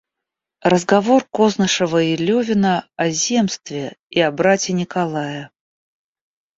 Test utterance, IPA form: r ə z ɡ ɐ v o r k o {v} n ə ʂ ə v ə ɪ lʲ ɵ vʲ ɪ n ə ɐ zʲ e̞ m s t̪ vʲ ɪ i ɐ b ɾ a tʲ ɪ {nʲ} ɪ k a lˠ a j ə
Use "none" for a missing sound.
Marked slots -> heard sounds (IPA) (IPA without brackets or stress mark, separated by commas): z, nʲ